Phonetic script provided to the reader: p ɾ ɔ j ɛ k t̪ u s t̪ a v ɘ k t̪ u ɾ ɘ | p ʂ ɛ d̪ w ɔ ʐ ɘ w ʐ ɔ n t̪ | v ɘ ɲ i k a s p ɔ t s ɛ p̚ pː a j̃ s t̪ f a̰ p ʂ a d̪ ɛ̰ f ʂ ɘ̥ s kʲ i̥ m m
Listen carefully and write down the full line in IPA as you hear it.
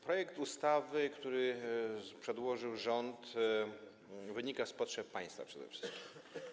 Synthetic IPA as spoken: p ɾ ɔ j ɛ k t̪ u s t̪ a v ɘ k t̪ u ɾ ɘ | p ʂ ɛ d̪ w ɔ ʐ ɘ w ʐ ɔ n t̪ | v ɘ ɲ i k a s p ɔ t ʂ ɛ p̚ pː a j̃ s t̪ f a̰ p ʂ ɛ d̪ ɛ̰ f ʂ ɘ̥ s kʲ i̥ m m

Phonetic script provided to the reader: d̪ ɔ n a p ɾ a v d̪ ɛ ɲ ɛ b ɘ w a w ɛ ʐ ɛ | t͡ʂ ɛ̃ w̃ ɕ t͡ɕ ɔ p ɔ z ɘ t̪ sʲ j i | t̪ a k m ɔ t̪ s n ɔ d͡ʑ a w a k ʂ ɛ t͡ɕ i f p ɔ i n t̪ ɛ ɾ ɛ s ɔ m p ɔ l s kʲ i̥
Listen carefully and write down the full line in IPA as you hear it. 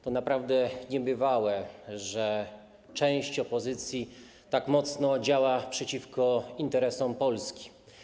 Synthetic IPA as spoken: t̪ ɔ n a p ɾ a v d̪ ɛ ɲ ɛ b ɘ v a w ɛ ʐ ɛ | t͡ʂ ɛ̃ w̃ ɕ t͡ɕ ɔ p ɔ z ɘ t̪ sʲ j i | t̪ a k m ɔ t̪ s n ɔ d͡ʑ a w a p ʂ ɛ t͡ɕ i f k ɔ i n t̪ ɛ ɾ ɛ s ɔ m p ɔ l s kʲ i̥

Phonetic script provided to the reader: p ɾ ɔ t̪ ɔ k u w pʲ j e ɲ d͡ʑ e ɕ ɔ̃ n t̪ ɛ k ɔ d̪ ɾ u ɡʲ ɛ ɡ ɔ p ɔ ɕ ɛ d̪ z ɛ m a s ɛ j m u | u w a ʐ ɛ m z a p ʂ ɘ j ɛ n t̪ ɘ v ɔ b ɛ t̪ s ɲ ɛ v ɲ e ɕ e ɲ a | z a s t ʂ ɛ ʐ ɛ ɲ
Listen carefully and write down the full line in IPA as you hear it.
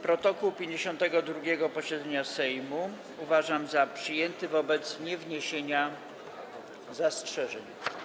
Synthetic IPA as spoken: p ɾ ɔ t̪ ɔ k u w pʲ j e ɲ d͡ʑ e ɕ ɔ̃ n t̪ ɛ ɡ ɔ d̪ ɾ u ɡʲ ɛ ɡ ɔ p ɔ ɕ ɛ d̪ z ɛ ɲ a s ɛ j m u | u v a ʐ a m z a p ʂ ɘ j ɛ n t̪ ɘ v ɔ b ɛ t̪ s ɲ ɛ v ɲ e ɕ e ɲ a | z a s t ʂ ɛ ʐ ɛ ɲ

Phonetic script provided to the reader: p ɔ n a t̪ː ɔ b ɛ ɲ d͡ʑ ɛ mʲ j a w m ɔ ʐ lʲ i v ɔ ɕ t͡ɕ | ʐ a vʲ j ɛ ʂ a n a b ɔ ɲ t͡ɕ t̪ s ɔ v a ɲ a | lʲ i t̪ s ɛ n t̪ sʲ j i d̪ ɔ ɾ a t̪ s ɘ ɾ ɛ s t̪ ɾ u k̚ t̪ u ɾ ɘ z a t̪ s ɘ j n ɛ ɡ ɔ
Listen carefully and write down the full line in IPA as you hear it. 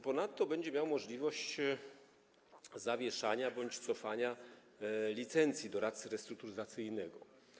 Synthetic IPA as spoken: p ɔ n a t̪ː ɔ b ɛ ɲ d͡ʑ ɛ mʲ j a w m ɔ ʐ lʲ i v ɔ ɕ t͡ɕ | z a vʲ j ɛ ʂ a ɲ a b ɔ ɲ t͡ɕ t̪ s ɔ f a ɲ a | lʲ i t̪ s ɛ n t̪ sʲ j i d̪ ɔ ɾ a t̪ s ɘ ɾ ɛ s t̪ ɾ u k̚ t̪ u ɾ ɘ z a t̪ s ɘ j n ɛ ɡ ɔ

